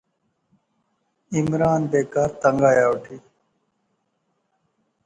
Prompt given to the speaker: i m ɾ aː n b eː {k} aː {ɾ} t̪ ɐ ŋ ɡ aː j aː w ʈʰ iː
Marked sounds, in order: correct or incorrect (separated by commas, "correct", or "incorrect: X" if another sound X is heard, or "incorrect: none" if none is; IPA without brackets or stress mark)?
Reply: correct, correct